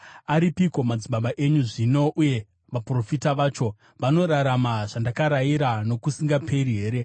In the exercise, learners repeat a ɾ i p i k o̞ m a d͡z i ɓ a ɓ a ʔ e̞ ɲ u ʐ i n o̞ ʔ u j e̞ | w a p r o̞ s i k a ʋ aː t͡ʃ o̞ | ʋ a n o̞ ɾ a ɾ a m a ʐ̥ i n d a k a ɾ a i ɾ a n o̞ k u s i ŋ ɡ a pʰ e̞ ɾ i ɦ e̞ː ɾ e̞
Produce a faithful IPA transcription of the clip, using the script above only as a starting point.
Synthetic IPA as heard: a ɾ i p i k o̞ m a d͡z i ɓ a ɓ a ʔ e̞ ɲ u ʐ i n o̞ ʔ u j e̞ | ʋ a p r o̞ f i t a ʋ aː t͡ʃ o̞ | ʋ a n o̞ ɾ a ɾ a m a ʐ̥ a n d a k a ɾ a i ɾ a n o̞ k u s i ŋ ɡ a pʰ e̞ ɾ i ɦ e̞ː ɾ e̞